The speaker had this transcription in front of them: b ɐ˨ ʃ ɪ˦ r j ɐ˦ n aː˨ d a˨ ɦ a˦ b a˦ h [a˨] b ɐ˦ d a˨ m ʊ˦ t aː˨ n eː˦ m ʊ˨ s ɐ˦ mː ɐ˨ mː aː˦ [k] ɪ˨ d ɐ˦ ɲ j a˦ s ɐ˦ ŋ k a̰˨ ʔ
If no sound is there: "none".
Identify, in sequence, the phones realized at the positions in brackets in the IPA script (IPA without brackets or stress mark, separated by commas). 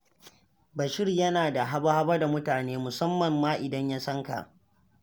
a˦, ʔ